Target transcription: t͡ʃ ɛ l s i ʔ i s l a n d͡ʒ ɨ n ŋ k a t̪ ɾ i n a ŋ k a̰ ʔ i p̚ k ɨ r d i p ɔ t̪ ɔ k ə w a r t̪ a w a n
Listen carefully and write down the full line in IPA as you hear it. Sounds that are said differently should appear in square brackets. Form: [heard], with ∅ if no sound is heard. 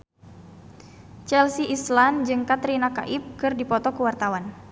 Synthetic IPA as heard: t͡ʃ ɛ l s i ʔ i s l a n d͡ʒ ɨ [∅] ŋ k a t̪ ɾ i n a [∅] k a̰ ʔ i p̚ k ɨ r d i p ɔ t̪ ɔ k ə w a r t̪ a w a n